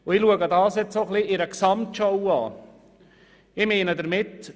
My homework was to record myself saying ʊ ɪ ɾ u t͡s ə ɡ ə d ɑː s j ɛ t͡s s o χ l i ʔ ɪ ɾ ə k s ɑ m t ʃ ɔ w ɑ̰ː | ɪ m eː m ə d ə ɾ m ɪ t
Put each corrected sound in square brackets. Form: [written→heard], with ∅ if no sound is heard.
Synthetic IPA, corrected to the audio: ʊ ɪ [ɾ→l] u [t͡s→∅] ə ɡ ə d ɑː s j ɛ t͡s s o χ l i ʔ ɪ ɾ ə k s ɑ m t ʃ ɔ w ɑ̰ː | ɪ m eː [m→n] ə d ə ɾ m ɪ t